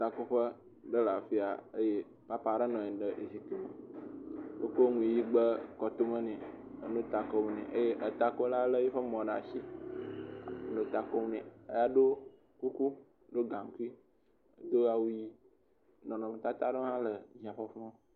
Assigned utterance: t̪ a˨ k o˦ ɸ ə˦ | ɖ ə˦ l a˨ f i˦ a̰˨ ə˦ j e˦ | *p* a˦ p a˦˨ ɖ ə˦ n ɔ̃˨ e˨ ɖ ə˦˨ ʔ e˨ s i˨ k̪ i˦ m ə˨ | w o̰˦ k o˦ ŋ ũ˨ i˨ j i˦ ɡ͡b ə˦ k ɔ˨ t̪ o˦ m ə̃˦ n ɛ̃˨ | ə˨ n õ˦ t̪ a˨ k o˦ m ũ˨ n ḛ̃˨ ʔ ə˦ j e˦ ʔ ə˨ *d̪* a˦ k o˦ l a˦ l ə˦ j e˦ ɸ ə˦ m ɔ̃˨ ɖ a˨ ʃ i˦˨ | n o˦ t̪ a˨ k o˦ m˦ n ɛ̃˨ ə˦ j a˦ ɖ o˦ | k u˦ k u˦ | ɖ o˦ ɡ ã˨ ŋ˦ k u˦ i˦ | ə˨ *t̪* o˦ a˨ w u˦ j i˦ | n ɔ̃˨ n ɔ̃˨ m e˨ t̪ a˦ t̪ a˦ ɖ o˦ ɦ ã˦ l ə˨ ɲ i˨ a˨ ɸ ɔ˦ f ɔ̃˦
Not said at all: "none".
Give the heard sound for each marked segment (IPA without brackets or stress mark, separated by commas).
p, t̪, d̪